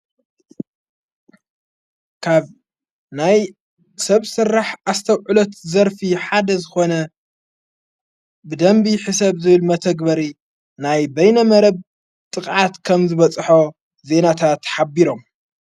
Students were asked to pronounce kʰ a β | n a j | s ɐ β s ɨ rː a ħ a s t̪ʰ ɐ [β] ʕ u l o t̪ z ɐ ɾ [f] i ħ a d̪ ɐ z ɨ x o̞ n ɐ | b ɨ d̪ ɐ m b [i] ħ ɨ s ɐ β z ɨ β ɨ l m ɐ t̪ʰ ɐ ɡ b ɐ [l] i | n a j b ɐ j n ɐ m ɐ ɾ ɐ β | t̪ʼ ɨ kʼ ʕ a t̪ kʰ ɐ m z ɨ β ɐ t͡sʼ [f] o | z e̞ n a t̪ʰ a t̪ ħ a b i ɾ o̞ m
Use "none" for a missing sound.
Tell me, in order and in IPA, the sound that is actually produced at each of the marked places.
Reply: w, f, i, ɾ, ħ

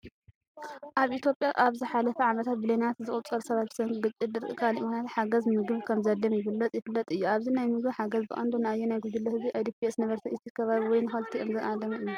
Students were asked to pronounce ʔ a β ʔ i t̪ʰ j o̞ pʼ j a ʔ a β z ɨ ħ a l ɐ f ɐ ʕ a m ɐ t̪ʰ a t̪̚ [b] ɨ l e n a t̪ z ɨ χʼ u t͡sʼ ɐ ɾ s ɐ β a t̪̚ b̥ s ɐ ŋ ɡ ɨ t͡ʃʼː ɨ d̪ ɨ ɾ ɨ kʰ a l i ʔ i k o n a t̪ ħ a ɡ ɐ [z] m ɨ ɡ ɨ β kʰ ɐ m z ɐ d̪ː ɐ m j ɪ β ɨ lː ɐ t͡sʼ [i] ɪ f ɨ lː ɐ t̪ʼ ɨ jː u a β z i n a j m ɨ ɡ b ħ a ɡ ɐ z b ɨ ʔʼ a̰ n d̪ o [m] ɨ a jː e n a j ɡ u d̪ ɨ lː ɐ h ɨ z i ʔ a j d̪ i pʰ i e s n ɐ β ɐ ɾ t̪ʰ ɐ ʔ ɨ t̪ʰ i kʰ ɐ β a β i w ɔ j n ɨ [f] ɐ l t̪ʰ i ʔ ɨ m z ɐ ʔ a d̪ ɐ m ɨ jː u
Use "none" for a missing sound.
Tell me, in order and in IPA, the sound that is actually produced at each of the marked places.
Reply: b, z, j, n, x

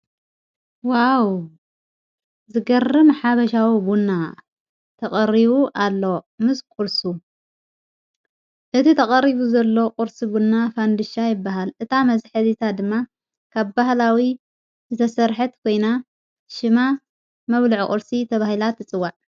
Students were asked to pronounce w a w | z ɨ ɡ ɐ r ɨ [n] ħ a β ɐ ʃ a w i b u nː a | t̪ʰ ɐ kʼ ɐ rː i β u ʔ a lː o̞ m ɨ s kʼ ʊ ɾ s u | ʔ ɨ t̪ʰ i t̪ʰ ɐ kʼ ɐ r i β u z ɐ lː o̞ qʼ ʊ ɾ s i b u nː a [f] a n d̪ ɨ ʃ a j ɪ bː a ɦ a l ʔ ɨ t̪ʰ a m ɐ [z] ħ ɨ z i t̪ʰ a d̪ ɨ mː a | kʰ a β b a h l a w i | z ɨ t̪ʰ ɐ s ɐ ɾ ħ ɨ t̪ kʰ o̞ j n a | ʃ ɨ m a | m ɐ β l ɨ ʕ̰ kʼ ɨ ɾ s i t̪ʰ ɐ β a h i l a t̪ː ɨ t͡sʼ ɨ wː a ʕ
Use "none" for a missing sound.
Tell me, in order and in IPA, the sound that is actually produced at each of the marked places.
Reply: m, f, z

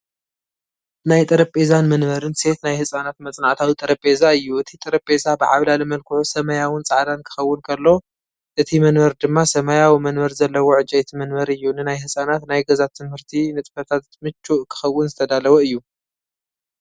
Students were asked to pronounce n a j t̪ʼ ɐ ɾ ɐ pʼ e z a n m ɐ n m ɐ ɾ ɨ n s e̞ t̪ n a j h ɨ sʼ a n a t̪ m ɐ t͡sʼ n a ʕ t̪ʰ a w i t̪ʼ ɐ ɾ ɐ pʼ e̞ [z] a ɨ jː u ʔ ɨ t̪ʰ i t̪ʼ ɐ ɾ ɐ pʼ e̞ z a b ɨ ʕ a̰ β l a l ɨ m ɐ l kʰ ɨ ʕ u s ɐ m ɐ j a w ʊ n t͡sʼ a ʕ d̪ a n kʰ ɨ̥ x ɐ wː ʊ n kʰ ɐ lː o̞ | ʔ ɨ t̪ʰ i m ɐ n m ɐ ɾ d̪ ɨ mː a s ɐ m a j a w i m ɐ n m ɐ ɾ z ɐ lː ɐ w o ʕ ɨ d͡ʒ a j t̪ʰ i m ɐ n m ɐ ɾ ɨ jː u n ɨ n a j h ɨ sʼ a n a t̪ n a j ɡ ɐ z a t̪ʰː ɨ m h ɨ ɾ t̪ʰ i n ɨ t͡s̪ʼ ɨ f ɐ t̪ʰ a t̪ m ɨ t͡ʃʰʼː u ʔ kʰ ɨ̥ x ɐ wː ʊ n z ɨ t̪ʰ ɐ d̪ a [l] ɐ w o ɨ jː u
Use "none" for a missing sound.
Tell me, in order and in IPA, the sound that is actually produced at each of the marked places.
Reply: z, l

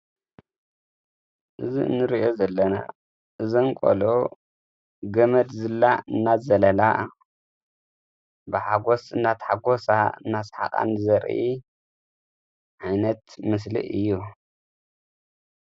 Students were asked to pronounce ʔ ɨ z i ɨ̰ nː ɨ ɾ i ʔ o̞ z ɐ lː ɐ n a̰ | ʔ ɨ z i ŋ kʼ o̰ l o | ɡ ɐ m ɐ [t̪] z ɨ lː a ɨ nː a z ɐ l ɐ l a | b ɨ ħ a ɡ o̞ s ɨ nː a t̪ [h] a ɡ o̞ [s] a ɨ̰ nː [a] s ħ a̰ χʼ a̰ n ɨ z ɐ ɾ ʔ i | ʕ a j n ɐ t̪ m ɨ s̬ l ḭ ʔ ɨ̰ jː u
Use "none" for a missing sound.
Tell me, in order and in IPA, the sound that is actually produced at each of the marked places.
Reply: d̪, ħ, s, a

